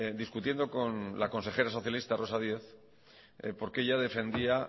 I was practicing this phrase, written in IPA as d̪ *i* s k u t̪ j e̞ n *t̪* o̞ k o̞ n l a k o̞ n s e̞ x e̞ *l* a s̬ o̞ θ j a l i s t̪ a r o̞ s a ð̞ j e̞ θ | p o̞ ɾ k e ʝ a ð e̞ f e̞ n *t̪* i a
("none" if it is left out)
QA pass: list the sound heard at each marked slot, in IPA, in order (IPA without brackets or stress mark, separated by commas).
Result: i, d̪, ɾ, d̪